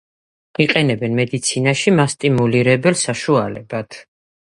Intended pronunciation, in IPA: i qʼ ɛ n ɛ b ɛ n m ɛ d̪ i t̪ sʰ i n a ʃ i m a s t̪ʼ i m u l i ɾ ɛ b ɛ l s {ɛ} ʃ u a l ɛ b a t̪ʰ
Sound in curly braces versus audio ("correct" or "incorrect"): incorrect